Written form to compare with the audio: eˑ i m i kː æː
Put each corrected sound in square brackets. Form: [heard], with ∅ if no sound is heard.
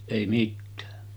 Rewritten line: eˑ i m i [tː] æː